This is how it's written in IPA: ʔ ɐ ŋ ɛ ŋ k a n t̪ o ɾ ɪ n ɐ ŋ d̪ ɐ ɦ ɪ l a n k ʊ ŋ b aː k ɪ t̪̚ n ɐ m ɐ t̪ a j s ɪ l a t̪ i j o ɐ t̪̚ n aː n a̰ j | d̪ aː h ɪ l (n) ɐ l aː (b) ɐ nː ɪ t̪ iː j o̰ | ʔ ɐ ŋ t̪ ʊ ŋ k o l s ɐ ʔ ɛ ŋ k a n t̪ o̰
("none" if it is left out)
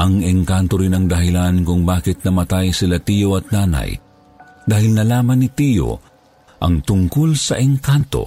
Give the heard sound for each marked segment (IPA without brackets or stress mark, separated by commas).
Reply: n, m